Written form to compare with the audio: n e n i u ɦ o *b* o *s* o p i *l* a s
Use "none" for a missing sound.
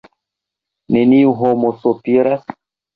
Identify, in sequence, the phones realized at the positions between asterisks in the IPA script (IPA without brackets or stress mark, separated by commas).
m, s, ɾ